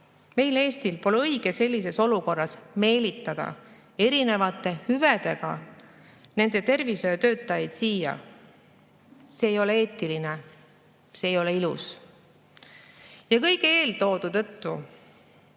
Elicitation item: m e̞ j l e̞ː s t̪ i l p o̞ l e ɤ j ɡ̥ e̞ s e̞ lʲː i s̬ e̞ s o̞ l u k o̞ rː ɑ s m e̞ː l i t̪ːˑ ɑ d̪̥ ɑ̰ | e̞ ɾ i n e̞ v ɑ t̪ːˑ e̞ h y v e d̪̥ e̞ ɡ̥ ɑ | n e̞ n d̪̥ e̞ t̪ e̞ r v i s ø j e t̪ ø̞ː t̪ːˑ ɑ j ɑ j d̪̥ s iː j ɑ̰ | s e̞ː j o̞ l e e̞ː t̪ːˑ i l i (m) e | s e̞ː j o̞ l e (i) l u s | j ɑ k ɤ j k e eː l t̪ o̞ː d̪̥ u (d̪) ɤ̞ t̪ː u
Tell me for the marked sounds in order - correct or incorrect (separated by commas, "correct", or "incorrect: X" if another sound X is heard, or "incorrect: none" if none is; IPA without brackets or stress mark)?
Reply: incorrect: n, correct, incorrect: t̪